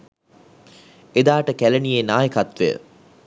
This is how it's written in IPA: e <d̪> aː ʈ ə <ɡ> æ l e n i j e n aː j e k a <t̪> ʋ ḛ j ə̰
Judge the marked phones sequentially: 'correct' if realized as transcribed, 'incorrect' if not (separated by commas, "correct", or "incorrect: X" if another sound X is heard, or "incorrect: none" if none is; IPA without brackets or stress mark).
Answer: correct, incorrect: k, correct